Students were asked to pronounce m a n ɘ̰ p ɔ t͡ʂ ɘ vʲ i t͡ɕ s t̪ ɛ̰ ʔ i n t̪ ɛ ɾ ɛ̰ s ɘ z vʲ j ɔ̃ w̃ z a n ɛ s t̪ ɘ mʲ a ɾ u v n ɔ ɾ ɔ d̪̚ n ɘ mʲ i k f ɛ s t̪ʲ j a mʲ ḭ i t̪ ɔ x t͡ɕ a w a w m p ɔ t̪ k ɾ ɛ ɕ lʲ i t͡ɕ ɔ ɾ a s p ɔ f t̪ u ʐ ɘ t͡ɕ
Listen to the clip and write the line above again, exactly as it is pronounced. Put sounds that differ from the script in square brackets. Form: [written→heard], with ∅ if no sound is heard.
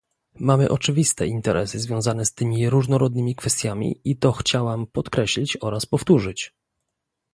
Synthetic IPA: m a [n→m] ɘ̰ [p→ʔ] ɔ t͡ʂ ɘ vʲ i [t͡ɕ→∅] s t̪ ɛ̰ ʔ i n t̪ ɛ ɾ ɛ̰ s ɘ z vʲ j ɔ̃ w̃ z a n ɛ s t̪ ɘ mʲ [a→i] ɾ u [v→ʐ] n ɔ ɾ ɔ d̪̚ n ɘ mʲ i k f ɛ s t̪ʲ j a mʲ ḭ i t̪ ɔ x t͡ɕ a w a [w→∅] m p ɔ t̪ k ɾ ɛ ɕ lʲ i t͡ɕ ɔ ɾ a s p ɔ f t̪ u ʐ ɘ t͡ɕ